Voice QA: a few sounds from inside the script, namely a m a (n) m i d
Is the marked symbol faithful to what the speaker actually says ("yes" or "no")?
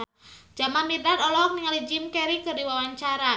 yes